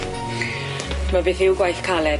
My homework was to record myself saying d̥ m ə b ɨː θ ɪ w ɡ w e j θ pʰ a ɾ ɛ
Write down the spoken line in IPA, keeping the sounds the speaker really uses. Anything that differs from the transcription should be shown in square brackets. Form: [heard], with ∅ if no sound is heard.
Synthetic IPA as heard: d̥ m [a] b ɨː θ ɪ w ɡ w [a] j θ [kʰ] a [l] ɛ